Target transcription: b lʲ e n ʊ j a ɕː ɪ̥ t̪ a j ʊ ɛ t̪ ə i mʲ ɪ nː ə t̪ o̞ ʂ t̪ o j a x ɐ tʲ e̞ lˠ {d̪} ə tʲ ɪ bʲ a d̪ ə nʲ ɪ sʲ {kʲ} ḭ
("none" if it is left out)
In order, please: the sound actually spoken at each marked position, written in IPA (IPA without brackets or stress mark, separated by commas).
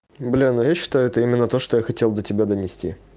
d̪, tʲ